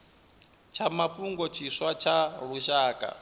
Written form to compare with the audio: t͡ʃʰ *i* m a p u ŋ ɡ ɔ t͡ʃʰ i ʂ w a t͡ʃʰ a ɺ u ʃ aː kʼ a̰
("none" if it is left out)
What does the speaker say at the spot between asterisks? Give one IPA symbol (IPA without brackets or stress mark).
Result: a